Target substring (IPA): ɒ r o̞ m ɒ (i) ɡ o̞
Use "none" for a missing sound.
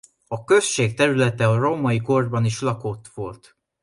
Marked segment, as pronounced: i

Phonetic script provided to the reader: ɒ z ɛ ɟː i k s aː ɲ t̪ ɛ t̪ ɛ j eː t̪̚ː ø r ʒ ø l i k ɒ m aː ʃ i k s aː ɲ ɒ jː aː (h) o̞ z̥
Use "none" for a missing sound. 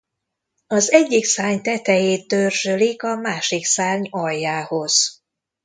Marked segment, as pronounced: h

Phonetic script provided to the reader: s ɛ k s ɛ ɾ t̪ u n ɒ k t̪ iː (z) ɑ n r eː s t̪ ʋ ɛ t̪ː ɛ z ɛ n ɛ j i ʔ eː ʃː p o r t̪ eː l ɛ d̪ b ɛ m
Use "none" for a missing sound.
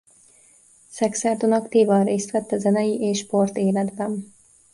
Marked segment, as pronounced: v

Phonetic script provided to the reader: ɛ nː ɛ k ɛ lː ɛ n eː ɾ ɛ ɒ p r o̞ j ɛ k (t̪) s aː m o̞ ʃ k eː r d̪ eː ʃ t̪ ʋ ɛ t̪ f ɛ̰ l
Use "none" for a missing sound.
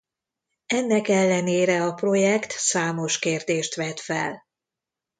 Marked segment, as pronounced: t̪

